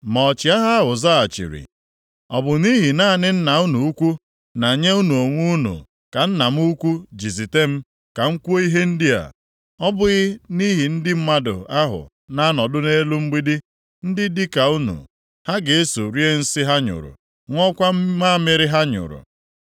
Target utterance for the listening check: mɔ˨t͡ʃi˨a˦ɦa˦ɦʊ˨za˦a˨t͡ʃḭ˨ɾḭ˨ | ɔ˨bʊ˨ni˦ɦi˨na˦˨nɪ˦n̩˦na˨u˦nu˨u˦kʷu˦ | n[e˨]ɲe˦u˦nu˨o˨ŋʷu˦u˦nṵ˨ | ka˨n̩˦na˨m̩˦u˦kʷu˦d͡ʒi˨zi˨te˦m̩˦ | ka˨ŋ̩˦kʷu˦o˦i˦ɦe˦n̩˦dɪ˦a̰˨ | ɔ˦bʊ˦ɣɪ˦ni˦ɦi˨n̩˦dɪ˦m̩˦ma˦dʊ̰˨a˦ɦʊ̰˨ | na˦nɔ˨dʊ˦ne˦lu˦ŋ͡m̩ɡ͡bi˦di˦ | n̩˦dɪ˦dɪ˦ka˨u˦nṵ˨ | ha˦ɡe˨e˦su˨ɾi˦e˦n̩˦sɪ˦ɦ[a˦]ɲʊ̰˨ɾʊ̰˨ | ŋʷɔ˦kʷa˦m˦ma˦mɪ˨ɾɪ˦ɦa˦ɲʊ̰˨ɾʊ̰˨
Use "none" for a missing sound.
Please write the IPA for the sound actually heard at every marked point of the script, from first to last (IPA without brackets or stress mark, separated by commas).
a˨, a˦